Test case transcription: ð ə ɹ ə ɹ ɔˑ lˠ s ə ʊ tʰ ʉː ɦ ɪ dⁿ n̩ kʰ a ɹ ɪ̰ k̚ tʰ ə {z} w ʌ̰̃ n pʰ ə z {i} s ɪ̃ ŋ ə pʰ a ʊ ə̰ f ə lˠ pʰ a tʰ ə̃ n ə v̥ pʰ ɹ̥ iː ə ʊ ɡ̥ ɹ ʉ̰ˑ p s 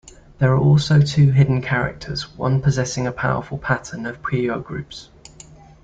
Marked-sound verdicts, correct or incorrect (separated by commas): correct, incorrect